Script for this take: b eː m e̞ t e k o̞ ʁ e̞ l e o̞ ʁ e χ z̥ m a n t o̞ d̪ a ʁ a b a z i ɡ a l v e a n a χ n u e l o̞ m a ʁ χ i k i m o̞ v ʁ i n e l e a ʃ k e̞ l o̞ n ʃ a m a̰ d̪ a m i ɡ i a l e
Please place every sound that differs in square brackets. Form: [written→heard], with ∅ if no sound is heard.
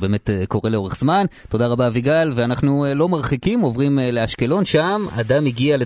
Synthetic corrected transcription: b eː m e̞ t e k o̞ ʁ e̞ l e o̞ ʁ e χ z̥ m a n t o̞ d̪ a ʁ a b a [z→v] i ɡ a l v e a n a χ n u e l o̞ m a ʁ χ i k i m o̞ v ʁ i [n→m] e l e a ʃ k e̞ l o̞ n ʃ a m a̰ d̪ a m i ɡ i a l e